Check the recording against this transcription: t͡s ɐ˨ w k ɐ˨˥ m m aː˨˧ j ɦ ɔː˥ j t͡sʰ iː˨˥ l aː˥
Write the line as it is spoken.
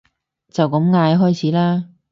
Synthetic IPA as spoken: t͡s ɐ˨ w k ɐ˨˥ m ŋ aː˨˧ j ɦ ɔː˥ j t͡sʰ iː˨˥ l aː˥